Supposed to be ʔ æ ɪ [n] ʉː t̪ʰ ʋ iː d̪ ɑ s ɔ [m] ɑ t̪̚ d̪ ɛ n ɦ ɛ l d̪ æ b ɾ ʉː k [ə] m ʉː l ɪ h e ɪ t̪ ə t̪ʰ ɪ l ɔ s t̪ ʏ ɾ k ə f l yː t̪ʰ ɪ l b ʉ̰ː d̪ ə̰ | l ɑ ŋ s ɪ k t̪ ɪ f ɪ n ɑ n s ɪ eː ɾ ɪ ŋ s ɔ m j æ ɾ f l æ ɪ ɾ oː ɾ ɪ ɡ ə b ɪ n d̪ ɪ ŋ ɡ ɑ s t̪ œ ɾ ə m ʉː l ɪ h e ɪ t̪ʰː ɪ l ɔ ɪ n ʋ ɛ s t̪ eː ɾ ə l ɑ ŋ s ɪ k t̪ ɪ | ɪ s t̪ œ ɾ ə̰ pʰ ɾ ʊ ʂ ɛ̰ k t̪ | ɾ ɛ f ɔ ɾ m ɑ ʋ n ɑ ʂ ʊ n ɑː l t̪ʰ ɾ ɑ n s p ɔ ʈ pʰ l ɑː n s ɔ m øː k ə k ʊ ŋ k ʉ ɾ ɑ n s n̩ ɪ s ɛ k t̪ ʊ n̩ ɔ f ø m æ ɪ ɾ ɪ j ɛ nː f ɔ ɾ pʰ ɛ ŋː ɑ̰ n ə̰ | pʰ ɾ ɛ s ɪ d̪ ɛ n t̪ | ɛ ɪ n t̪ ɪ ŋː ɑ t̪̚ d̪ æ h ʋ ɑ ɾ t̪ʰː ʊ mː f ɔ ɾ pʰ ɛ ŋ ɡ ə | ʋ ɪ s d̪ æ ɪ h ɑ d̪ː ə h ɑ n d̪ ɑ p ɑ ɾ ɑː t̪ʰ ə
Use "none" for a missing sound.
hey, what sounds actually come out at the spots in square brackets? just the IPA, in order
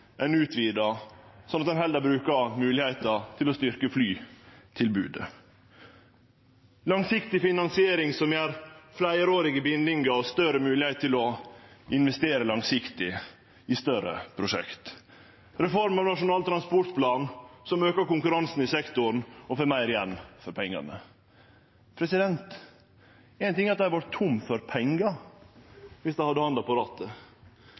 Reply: n, n, ɑ

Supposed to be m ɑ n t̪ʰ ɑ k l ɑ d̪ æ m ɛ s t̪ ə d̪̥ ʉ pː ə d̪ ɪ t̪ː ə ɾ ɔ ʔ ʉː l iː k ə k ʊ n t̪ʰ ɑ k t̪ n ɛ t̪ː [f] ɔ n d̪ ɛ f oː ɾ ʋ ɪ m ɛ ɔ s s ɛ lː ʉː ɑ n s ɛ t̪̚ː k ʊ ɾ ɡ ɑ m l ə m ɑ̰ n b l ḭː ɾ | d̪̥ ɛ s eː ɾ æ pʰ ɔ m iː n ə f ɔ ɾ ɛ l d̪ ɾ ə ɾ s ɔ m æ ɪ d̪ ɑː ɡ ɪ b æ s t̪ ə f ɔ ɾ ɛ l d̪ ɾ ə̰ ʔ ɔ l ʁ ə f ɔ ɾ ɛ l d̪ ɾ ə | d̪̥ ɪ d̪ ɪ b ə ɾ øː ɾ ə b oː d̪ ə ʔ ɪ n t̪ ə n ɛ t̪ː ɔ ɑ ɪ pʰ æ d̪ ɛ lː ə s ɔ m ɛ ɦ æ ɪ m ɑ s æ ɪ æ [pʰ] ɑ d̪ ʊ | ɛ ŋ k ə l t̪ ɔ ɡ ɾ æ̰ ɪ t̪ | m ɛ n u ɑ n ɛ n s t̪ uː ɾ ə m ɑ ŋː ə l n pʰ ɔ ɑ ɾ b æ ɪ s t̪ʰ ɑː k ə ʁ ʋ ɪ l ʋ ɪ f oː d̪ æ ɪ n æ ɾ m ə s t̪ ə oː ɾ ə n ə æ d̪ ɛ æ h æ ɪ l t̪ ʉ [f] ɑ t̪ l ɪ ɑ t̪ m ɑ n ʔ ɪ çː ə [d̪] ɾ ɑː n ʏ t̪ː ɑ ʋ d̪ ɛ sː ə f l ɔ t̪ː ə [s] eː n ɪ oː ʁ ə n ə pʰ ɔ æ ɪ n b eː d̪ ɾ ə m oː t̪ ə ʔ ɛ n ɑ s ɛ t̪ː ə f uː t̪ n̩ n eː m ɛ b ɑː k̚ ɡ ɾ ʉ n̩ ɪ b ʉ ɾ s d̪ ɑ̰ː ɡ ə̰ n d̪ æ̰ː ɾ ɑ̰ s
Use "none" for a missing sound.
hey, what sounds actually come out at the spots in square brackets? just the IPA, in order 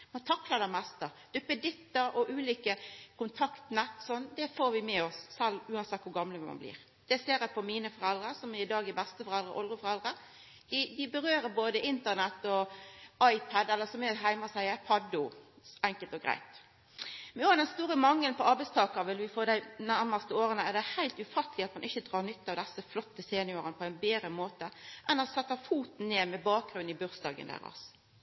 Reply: s, pʰ, f, d̪, s

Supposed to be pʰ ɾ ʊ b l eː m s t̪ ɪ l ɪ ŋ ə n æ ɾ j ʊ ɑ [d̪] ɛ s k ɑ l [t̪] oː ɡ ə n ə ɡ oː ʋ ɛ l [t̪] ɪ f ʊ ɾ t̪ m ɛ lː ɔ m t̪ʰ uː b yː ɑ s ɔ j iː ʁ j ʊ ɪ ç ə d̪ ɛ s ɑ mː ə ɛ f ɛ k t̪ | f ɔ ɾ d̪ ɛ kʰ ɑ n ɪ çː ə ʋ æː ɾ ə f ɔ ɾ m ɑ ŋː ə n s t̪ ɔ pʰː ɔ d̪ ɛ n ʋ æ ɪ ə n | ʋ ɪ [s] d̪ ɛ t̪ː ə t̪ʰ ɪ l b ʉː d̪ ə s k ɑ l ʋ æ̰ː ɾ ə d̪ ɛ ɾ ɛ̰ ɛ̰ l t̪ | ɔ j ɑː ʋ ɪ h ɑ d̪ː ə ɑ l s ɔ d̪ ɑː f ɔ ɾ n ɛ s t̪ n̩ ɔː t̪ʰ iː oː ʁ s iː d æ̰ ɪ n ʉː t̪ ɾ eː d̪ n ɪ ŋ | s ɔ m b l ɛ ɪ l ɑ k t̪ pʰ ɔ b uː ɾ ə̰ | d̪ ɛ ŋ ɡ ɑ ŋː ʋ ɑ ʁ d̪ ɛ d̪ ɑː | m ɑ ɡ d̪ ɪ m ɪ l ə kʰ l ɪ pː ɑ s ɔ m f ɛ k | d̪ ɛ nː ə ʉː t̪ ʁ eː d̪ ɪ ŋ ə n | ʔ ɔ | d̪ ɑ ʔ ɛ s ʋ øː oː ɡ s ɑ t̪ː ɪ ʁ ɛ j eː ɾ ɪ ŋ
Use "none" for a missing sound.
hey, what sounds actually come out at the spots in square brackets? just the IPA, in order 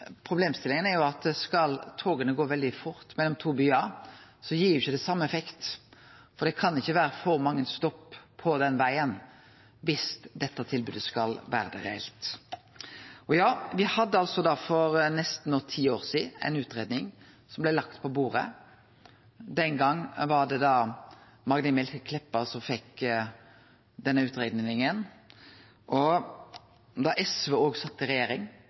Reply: t̪, t̪ʰ, d̪, s

